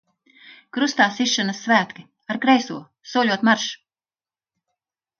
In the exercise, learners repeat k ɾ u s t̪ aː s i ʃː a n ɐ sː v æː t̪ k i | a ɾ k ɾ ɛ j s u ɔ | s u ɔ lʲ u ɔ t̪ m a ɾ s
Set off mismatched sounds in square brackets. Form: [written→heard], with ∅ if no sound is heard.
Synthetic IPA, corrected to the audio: k ɾ u s t̪ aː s i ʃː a n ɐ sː v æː t̪ k i | a ɾ k ɾ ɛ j s u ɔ | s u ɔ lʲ u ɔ t̪ m a ɾ [s→ʃ]